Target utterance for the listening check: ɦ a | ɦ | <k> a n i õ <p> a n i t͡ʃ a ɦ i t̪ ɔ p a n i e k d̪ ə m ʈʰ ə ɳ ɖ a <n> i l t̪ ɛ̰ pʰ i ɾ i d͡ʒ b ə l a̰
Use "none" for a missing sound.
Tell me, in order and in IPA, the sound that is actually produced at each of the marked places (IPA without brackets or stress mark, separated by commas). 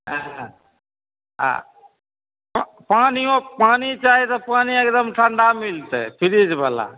p, p, m